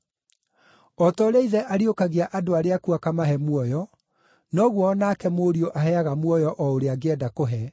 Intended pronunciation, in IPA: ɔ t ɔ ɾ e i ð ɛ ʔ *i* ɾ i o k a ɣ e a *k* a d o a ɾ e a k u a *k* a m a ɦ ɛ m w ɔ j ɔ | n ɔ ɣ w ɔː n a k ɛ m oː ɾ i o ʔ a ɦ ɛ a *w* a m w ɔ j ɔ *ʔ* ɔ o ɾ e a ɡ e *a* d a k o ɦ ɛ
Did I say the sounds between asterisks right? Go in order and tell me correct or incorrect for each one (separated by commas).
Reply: incorrect, incorrect, correct, incorrect, correct, incorrect